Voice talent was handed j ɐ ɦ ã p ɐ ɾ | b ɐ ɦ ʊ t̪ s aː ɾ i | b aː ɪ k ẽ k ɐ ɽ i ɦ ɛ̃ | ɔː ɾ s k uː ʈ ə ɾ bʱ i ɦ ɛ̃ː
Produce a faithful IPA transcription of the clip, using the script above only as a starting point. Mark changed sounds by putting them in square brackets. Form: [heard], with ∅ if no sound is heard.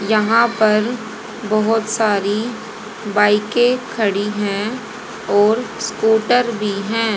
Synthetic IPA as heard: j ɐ ɦ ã p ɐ ɾ | b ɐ ɦ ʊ t̪ s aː ɾ i | b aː ɪ k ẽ [kʰ] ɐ ɽ i ɦ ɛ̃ | ɔː ɾ s k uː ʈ ə ɾ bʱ i ɦ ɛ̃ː